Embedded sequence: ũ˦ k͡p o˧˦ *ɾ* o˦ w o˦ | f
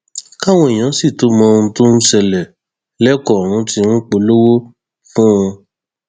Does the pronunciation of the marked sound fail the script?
yes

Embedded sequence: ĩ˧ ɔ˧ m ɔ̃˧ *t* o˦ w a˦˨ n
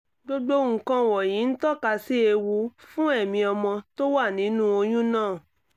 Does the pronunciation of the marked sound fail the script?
no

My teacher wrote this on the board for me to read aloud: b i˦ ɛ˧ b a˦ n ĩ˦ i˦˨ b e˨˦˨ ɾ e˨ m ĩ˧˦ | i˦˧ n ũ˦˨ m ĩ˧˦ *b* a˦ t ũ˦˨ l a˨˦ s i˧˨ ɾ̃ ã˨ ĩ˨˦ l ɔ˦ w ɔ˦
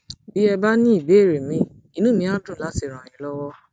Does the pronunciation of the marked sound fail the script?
yes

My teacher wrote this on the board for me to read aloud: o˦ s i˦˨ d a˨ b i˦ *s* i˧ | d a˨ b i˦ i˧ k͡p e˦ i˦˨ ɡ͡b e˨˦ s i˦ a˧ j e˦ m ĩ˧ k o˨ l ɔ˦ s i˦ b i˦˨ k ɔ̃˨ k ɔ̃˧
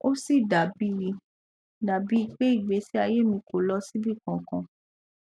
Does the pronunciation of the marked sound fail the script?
yes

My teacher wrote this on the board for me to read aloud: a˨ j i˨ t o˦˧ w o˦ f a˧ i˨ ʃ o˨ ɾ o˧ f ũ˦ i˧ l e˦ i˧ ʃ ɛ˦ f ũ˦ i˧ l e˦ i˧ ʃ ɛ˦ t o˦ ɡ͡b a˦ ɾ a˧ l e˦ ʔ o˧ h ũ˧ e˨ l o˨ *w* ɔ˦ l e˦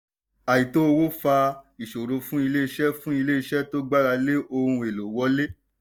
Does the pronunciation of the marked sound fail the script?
no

